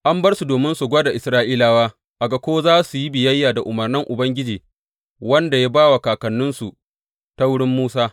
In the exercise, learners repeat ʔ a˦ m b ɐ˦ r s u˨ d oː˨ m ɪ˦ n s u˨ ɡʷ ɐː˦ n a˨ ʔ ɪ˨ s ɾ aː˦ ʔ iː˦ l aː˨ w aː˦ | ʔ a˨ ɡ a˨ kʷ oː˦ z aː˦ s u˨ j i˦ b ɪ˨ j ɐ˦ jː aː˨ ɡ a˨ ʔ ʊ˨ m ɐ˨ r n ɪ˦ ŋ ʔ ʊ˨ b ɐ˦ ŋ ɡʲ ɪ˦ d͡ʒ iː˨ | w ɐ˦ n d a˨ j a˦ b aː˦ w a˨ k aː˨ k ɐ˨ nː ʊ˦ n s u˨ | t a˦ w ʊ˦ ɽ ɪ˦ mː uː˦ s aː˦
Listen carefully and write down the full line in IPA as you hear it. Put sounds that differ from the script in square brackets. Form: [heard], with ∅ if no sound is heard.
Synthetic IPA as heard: ʔ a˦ m b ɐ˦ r s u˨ d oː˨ m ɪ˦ n s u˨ ɡʷ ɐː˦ [d] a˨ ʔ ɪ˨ s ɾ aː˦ ʔ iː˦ l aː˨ w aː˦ | ʔ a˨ ɡ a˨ kʷ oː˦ z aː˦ s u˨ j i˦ b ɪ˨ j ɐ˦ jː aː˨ [d] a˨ ʔ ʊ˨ m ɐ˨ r n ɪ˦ ŋ ʔ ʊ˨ b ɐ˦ ŋ ɡʲ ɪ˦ d͡ʒ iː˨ | w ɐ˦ n d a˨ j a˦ b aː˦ w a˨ k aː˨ k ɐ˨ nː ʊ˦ n s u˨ | t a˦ w ʊ˦ ɽ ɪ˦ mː uː˦ s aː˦